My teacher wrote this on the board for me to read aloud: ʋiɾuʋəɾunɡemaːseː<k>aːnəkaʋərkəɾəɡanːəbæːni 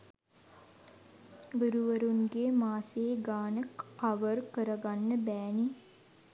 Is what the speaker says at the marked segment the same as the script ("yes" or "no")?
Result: no